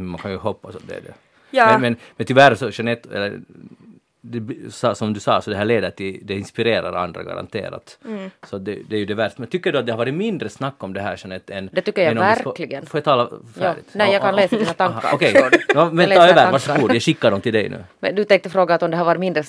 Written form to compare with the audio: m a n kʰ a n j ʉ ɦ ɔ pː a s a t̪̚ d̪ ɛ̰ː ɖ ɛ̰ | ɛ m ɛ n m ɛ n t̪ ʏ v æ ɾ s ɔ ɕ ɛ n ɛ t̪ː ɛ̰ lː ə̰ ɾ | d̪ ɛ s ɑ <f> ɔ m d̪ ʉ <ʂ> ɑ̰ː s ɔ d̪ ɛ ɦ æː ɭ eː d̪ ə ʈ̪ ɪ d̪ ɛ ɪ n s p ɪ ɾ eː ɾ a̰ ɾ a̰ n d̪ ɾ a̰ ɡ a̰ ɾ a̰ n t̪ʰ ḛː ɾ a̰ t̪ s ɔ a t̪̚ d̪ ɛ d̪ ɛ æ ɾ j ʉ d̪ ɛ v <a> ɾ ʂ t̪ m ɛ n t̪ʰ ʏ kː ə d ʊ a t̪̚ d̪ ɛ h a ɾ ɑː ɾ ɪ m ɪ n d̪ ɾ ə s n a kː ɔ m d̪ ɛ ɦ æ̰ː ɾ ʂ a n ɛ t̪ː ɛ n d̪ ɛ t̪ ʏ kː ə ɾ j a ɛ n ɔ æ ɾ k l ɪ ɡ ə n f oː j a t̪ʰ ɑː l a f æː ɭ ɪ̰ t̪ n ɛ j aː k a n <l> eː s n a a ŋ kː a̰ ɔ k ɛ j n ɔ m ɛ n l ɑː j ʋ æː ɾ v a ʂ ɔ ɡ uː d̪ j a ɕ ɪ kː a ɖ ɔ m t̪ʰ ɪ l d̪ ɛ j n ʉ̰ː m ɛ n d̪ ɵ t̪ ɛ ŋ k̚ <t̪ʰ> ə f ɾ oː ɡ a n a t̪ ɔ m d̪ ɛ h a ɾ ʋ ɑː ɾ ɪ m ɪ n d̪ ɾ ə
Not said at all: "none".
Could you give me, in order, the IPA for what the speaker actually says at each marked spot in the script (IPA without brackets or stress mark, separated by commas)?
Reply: s, s, æ, l, t̪